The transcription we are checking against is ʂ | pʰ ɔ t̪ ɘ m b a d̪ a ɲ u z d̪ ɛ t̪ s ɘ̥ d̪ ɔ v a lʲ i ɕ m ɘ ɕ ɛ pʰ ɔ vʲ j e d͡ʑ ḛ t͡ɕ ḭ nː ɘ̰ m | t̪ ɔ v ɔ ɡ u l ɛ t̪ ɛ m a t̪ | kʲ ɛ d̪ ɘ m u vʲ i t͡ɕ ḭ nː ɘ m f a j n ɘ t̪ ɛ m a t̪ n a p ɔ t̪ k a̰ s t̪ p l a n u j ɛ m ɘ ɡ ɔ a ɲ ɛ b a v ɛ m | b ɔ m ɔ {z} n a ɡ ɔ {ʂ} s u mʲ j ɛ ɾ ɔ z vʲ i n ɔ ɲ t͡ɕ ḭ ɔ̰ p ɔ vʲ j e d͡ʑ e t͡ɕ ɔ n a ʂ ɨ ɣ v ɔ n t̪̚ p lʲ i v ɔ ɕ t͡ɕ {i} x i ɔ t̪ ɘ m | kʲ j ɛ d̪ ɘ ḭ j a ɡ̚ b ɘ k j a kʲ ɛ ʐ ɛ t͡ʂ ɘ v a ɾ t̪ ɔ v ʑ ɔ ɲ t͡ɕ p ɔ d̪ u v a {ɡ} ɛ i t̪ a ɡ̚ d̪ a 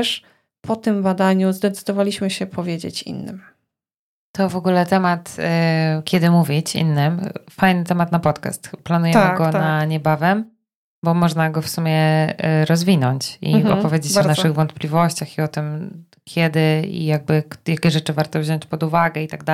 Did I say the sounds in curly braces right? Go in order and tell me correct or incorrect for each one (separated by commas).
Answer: incorrect, incorrect, incorrect, correct